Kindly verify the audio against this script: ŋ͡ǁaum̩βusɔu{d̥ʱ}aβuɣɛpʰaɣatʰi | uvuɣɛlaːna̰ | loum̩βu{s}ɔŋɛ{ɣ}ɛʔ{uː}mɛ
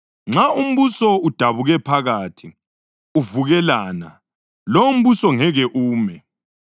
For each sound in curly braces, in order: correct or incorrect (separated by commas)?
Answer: correct, correct, correct, correct